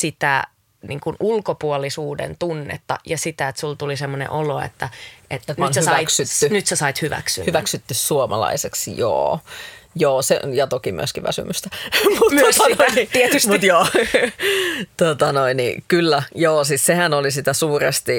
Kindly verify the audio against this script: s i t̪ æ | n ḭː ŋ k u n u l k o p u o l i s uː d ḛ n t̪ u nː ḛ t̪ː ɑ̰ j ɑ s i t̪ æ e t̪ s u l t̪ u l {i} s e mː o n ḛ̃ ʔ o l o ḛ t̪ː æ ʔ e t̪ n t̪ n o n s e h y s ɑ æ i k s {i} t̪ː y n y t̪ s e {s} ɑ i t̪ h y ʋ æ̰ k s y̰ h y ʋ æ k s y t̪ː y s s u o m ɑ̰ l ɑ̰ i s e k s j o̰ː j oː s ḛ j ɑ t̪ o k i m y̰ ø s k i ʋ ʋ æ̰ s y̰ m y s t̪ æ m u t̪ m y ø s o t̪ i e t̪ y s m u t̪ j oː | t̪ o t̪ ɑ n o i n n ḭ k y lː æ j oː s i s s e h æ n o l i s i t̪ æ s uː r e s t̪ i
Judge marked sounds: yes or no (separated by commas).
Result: yes, no, yes